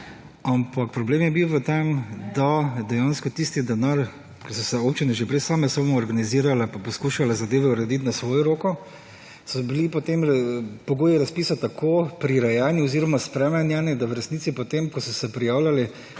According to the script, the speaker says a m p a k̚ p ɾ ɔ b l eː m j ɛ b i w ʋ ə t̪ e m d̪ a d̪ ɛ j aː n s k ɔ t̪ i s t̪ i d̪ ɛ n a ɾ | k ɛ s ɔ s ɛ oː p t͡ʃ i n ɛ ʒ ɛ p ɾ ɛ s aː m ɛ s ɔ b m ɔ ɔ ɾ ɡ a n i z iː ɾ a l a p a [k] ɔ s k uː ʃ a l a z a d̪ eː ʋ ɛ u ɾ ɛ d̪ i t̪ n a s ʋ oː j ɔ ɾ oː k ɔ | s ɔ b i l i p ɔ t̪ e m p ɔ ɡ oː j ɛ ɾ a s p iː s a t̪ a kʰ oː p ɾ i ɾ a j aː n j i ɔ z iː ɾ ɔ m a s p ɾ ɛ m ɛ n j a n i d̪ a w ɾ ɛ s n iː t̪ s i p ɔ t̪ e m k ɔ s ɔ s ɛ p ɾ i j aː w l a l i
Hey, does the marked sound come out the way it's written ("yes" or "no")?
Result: no